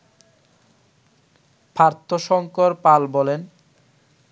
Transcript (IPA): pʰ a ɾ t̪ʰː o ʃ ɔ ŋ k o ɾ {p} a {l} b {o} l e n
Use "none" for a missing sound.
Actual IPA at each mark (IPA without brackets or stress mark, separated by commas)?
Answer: p, l, ɔ